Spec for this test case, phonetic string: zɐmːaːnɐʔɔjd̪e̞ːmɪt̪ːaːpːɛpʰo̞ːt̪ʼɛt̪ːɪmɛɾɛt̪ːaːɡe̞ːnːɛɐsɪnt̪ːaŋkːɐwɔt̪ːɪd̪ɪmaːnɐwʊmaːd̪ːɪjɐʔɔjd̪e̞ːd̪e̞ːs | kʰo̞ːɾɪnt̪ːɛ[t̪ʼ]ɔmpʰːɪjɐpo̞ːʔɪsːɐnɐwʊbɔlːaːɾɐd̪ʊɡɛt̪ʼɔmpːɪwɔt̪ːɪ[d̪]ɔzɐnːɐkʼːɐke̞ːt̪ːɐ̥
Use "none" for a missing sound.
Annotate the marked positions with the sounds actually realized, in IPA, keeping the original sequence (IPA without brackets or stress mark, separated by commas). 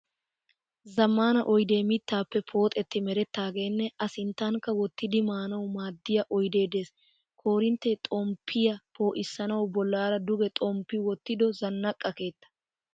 t̪ʼ, d̪